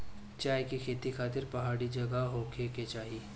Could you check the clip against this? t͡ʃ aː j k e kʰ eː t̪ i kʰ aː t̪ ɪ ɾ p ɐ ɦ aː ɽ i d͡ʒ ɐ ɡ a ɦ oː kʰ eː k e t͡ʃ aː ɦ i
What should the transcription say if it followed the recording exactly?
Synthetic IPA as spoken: t͡ʃ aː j k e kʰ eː t̪ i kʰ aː t̪ ɪ ɾ p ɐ ɦ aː ɽ i d͡ʒ ɐ ɡ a ɦ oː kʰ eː k e t͡ʃ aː ɦ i